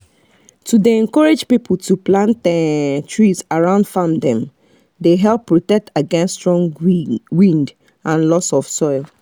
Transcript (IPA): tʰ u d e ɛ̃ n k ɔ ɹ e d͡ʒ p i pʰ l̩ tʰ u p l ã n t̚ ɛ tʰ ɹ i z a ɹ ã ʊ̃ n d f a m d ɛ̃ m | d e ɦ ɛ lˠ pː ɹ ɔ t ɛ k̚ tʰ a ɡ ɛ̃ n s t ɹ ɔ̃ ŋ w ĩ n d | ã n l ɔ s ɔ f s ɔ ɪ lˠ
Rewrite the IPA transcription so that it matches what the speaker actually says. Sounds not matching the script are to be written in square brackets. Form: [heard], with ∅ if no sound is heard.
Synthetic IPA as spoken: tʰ u d e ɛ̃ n k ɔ ɹ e d͡ʒ p i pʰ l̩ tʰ u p l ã n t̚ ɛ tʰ ɹ i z a ɹ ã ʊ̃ n d f a m d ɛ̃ m | d e ɦ ɛ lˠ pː ɹ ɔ t ɛ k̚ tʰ a ɡ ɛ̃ n s t ɹ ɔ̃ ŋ w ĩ n d | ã n l ɔ s ɔ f s ɔ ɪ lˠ